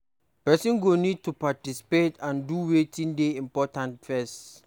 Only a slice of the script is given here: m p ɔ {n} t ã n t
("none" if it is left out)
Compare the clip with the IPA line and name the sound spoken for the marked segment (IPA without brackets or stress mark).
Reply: none